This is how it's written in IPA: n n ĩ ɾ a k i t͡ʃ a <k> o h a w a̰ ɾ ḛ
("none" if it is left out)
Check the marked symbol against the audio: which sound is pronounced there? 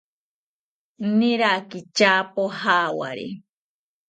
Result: p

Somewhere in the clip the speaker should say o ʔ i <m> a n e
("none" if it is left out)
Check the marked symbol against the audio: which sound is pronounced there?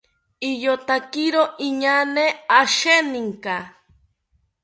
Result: ɲ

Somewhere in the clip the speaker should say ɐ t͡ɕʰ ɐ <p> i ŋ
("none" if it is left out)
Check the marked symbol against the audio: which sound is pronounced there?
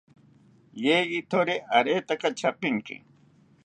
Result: p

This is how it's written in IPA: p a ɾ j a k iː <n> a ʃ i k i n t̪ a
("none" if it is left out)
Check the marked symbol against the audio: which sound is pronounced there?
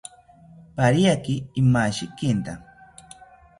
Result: m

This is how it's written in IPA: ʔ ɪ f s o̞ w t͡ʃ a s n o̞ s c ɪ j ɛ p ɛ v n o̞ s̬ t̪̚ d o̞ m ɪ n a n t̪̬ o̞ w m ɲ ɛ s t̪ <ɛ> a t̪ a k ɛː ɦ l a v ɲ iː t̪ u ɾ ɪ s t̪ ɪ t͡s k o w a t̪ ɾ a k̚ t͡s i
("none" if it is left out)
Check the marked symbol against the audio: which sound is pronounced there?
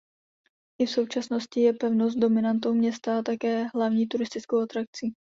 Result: a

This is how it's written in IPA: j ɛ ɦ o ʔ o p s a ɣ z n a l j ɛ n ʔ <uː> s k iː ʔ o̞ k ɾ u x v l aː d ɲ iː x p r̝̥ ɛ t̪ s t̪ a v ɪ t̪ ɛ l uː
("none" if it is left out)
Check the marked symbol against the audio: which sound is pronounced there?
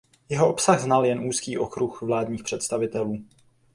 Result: uː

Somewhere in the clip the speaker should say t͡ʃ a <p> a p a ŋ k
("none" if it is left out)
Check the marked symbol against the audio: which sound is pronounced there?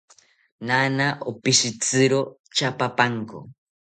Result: p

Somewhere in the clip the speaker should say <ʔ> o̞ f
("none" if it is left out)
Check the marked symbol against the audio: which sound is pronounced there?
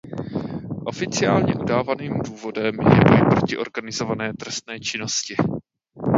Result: ʔ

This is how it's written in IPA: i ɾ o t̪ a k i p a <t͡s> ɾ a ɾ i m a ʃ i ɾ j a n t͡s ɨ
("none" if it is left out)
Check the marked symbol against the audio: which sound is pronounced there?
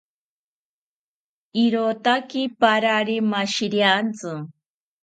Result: none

